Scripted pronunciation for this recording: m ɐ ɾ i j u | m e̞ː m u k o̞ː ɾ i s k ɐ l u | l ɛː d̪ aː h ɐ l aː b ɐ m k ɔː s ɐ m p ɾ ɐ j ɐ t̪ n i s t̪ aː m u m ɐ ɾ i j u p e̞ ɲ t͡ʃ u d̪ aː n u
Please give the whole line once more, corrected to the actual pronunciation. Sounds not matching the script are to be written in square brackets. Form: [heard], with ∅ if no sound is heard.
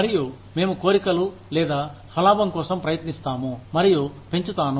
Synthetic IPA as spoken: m ɐ ɾ i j u | m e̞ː m u k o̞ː ɾ i [∅] k ɐ l u | l ɛː d̪ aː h ɐ l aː b ɐ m k ɔː s ɐ m p ɾ ɐ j ɐ t̪ n i s t̪ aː m u m ɐ ɾ i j u p e̞ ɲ t͡ʃ u [t̪] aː n u